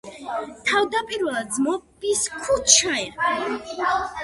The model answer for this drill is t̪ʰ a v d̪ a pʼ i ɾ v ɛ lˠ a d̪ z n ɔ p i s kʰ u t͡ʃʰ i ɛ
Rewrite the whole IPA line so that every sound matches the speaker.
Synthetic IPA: t̪ʰ a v d̪ a pʼ i ɾ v ɛ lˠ a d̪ z m ɔ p i s kʰ u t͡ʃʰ a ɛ